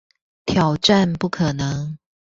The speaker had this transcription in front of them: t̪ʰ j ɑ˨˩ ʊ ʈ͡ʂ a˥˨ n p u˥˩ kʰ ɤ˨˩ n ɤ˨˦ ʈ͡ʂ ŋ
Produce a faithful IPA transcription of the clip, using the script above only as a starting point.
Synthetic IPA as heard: t̪ʰ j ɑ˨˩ ʊ ʈ͡ʂ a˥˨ n p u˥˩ kʰ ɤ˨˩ n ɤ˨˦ ŋ